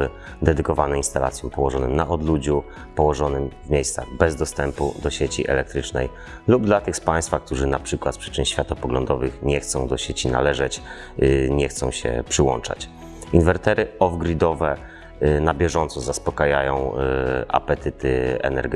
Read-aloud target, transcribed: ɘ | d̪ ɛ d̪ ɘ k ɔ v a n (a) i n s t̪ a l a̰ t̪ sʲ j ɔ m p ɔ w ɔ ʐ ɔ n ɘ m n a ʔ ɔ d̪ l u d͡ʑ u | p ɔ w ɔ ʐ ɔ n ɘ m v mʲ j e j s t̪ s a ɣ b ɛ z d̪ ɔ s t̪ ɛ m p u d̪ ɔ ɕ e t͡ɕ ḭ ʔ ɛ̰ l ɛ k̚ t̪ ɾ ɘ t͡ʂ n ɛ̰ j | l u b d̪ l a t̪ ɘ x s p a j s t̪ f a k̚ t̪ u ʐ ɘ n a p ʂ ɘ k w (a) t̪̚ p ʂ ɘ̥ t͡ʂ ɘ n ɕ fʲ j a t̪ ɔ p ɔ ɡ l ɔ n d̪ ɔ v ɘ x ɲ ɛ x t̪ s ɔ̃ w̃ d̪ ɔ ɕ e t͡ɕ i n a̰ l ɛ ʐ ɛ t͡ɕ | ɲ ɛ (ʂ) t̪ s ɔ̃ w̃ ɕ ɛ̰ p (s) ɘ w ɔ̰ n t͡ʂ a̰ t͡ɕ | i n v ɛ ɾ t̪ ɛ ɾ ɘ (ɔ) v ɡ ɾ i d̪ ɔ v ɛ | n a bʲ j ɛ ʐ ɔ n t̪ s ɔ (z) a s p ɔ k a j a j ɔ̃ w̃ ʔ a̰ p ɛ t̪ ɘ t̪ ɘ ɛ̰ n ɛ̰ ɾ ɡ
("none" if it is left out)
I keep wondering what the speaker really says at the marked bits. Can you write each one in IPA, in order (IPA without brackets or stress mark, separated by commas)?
ɛ, a, x, ʂ, ɔ, z